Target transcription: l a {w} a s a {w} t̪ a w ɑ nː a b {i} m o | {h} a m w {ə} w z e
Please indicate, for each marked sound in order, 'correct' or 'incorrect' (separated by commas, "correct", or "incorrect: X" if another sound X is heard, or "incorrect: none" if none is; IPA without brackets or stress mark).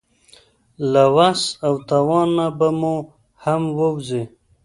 correct, correct, incorrect: a, correct, correct